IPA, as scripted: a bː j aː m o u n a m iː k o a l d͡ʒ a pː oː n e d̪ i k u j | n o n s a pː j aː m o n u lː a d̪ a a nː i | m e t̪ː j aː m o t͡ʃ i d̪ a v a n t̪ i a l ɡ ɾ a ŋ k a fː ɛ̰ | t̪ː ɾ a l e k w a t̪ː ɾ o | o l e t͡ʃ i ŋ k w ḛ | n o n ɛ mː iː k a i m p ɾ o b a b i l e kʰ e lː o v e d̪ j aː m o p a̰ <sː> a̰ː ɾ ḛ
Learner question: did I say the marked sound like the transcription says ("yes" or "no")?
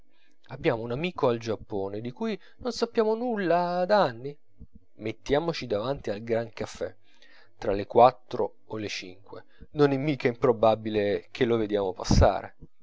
yes